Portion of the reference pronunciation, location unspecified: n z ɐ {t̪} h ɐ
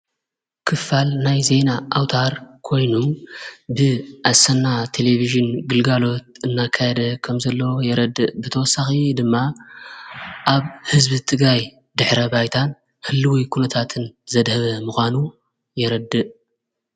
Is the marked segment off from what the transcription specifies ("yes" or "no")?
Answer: yes